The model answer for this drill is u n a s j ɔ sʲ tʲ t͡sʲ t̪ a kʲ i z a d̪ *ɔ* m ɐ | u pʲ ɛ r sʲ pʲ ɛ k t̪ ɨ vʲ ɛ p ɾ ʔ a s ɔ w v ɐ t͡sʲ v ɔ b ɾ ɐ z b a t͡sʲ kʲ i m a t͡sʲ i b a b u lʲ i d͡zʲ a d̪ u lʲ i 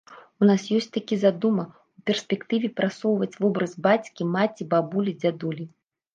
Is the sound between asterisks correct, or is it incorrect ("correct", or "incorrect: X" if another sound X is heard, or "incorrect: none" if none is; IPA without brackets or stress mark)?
incorrect: u